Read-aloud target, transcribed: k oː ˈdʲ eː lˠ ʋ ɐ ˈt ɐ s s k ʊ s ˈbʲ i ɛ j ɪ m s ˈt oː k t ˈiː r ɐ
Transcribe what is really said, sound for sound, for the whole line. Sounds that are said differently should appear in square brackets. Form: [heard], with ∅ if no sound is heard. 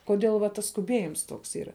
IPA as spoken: k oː ˈdʲ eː lˠ ʋ ɐ ˈt ɐ s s k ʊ [∅] ˈbʲ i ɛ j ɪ m s ˈt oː k [s] ˈiː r ɐ